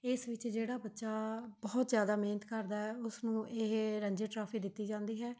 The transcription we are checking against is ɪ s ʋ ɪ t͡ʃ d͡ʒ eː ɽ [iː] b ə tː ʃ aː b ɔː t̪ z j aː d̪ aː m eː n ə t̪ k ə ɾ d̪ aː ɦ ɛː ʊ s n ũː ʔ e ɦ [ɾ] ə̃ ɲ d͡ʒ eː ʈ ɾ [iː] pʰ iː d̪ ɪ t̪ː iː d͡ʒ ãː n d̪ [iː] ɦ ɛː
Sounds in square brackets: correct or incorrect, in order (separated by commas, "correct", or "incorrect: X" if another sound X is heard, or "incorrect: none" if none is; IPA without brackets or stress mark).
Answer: incorrect: aː, correct, incorrect: aː, correct